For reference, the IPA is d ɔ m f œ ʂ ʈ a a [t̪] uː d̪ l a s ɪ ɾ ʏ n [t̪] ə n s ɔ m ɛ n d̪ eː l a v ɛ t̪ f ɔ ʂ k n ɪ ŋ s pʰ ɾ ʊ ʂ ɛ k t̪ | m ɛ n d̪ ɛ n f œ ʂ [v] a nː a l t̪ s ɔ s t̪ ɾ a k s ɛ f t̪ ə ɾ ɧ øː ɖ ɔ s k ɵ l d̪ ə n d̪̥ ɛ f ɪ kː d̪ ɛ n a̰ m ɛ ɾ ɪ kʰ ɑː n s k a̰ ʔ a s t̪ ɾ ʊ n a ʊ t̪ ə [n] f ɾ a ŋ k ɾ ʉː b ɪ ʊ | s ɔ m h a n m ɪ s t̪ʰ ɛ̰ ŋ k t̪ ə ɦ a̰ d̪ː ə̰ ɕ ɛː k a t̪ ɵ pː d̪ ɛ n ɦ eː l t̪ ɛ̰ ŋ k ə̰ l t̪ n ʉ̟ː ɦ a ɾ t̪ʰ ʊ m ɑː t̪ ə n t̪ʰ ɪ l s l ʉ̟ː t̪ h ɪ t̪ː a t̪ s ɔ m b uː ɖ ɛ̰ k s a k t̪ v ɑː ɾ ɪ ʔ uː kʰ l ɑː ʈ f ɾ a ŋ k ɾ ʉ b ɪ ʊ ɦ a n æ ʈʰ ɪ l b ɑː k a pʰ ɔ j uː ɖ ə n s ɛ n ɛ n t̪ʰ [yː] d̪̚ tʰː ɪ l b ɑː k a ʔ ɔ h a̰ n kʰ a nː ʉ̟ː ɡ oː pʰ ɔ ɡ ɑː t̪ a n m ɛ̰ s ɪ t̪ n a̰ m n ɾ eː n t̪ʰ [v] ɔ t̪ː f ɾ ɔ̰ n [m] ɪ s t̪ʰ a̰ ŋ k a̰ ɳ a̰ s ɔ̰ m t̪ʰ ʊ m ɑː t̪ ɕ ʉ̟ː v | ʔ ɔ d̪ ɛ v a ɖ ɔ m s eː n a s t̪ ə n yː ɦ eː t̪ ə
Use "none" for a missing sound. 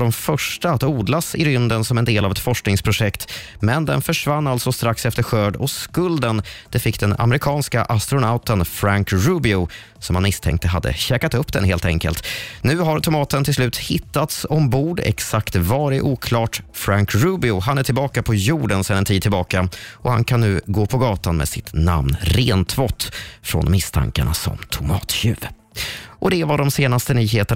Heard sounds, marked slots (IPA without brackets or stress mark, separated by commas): t̪, d̪, v, n, iː, v, m